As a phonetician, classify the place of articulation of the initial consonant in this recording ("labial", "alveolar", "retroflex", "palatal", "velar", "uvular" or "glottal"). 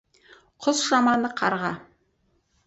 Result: uvular